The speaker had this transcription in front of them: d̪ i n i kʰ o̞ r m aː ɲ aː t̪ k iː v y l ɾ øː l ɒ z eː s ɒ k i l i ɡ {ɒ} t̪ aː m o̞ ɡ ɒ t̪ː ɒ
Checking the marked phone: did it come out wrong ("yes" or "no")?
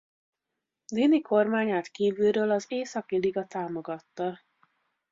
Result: no